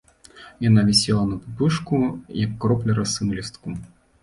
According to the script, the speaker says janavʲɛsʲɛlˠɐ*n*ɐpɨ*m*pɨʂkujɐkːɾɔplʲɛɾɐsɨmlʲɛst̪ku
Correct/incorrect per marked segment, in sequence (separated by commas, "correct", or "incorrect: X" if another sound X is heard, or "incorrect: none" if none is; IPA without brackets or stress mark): correct, incorrect: none